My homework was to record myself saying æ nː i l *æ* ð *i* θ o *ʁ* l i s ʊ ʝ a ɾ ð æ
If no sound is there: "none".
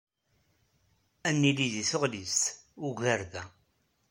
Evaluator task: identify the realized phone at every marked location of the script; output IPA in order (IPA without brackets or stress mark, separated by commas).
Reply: i, i, ʁ